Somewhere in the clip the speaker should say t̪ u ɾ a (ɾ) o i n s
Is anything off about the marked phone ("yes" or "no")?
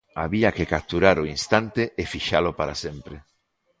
no